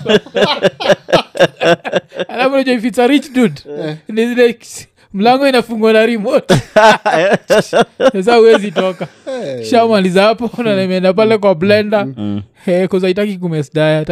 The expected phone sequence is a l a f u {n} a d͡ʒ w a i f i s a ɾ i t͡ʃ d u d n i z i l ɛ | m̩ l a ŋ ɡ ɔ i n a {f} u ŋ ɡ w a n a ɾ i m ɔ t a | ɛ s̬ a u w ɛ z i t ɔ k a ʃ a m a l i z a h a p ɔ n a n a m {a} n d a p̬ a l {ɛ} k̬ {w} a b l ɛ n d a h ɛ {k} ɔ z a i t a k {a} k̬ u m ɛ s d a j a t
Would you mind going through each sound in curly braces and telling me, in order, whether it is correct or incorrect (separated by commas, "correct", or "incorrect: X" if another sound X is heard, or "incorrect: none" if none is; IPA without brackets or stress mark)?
correct, correct, incorrect: ɛ, correct, correct, correct, incorrect: i